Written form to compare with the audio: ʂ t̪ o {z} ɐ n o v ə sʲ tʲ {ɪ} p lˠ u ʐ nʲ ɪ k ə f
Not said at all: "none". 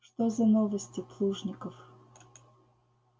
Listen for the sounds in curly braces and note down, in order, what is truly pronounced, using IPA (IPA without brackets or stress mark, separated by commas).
z, ɪ